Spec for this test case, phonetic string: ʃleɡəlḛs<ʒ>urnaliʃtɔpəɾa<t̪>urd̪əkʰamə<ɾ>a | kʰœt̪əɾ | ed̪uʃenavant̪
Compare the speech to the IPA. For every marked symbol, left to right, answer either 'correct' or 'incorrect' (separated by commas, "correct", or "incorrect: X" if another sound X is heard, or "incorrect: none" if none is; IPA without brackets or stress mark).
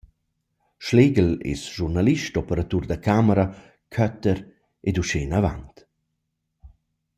correct, correct, correct